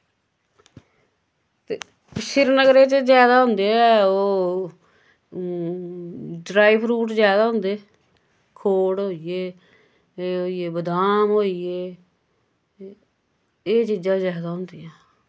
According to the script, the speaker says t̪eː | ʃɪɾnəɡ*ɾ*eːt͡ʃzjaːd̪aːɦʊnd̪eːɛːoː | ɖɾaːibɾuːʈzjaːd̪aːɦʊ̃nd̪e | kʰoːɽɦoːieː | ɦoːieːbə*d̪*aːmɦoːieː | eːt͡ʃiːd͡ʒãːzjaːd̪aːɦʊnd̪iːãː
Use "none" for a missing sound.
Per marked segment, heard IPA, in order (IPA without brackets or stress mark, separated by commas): ɾ, d̪